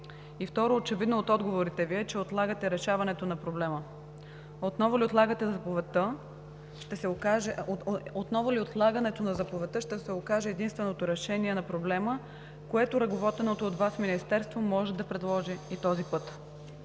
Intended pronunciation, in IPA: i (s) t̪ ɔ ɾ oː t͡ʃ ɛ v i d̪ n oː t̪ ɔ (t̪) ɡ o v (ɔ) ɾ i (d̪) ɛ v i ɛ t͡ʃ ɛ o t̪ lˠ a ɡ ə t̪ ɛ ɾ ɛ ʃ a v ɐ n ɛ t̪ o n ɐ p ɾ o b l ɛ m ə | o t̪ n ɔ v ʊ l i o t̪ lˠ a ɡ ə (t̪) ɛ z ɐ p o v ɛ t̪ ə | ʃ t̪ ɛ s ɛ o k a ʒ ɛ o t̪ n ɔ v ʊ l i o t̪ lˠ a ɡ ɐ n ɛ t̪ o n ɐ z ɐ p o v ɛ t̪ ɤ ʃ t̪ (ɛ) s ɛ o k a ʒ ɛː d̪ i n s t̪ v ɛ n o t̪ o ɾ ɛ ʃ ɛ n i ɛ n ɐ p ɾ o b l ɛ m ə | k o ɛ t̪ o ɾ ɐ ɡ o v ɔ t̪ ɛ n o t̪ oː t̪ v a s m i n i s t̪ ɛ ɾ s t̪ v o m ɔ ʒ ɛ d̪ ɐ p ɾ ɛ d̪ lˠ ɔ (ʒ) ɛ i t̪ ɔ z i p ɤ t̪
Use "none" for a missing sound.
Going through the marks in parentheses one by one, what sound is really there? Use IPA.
f, d̪, o, t̪, t̪, ɛ, ʒ

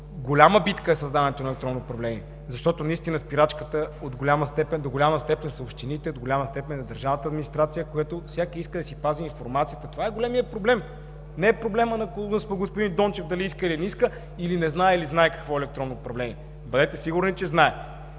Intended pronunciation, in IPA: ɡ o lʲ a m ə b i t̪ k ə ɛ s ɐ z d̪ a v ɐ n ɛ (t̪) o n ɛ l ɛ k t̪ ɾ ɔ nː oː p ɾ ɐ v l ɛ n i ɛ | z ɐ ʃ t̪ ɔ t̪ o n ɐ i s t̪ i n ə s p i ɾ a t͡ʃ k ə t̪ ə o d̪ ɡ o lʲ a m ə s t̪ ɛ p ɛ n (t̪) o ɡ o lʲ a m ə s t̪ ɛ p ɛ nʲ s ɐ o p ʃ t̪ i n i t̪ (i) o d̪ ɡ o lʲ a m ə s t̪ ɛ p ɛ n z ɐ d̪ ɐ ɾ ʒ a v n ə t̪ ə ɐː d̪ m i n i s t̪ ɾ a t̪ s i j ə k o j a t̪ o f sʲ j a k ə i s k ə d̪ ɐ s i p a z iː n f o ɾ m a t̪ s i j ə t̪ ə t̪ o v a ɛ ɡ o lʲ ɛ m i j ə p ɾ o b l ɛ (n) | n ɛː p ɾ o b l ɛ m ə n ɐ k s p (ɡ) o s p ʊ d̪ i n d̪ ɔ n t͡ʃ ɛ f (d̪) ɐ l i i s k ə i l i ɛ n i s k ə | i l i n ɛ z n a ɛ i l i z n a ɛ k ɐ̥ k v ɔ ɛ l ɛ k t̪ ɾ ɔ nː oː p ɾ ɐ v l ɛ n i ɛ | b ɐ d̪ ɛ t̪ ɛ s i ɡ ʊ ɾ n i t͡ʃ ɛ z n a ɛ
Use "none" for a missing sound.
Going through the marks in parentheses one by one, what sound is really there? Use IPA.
t̪, d̪, ɛ, m, ɡ, d̪

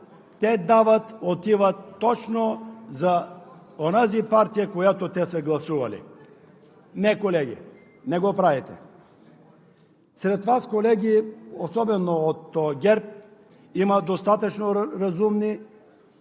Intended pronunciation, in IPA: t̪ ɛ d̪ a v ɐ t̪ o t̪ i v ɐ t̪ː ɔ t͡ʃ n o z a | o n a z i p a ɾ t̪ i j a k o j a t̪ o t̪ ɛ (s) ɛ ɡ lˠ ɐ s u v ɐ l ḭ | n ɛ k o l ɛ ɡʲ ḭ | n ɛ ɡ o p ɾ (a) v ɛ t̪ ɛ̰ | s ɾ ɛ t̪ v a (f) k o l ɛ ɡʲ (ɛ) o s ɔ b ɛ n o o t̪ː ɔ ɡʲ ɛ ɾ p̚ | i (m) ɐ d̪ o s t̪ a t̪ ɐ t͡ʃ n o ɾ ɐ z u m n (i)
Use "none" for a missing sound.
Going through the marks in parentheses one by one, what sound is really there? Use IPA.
s, a, s, i, m, i

